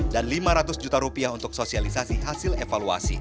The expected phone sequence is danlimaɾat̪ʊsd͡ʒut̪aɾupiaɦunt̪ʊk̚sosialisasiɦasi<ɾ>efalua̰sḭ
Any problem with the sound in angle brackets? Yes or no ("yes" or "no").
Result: yes